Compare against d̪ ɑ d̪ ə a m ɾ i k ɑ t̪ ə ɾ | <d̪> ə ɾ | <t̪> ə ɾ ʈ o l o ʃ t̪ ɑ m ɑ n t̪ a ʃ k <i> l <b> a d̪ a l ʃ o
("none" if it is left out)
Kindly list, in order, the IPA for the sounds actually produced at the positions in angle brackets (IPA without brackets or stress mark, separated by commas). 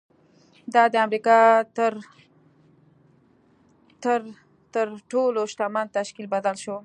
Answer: t̪, t̪, i, b